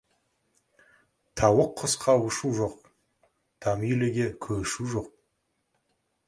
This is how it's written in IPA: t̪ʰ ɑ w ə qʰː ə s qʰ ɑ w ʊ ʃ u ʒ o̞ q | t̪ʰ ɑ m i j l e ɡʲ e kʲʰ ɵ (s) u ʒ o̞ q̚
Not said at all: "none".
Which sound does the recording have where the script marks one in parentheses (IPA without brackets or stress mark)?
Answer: ʃ